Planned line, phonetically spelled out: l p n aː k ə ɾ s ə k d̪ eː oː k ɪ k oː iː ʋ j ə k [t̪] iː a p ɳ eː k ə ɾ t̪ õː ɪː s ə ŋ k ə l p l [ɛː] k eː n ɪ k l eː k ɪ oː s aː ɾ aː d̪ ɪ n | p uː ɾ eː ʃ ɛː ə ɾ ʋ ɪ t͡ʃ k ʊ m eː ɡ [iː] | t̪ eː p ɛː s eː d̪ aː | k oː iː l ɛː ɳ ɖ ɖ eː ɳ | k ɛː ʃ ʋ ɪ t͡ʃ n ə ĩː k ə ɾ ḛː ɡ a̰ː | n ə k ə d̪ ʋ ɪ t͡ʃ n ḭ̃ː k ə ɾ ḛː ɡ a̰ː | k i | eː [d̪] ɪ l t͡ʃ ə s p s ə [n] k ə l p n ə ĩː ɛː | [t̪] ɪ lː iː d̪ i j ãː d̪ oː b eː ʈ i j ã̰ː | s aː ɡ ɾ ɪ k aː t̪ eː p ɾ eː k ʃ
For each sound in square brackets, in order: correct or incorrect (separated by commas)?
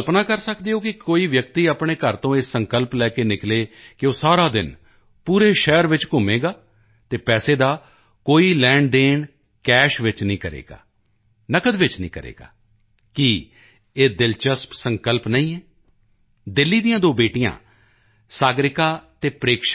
correct, correct, incorrect, correct, incorrect, incorrect